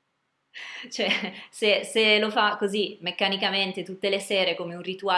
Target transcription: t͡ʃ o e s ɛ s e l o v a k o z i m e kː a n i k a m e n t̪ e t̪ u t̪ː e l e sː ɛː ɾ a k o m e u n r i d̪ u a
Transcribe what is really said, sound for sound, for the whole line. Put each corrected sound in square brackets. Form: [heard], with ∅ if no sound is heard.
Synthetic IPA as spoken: t͡ʃ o [ɛ] s [e] s e l o [f] a k o z i m e kː a n i k a m e n t̪ e t̪ u t̪ː e l e [s] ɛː ɾ [e] k o m e u n r i [t̪] u a